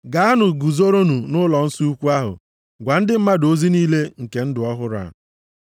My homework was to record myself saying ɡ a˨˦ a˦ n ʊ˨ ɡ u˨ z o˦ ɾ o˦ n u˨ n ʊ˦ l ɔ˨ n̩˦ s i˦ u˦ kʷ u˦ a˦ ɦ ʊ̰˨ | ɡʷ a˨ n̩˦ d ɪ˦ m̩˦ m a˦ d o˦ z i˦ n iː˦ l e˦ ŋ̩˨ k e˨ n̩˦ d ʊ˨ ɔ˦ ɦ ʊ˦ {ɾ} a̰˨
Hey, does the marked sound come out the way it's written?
yes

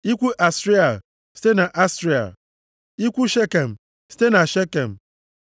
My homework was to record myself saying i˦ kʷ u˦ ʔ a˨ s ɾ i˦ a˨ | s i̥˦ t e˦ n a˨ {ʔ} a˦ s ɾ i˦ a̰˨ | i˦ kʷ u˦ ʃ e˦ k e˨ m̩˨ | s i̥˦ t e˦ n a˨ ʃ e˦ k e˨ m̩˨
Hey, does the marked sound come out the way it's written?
yes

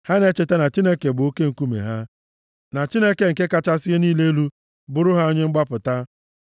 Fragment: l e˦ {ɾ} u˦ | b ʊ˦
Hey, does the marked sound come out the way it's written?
no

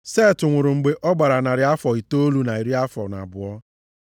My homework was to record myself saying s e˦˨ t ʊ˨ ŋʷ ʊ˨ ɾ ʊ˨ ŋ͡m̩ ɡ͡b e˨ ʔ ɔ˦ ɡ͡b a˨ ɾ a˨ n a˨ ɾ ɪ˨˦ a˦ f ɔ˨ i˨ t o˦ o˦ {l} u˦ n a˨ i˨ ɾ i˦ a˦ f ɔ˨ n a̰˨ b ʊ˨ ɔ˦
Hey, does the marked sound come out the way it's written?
yes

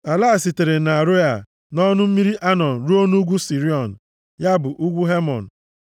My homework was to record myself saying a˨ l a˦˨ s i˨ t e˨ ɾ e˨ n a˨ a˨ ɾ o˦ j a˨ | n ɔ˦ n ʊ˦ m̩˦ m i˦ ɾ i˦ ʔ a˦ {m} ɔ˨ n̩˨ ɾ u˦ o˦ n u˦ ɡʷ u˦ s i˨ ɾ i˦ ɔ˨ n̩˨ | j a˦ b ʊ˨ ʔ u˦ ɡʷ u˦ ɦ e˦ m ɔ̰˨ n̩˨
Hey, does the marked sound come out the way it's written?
no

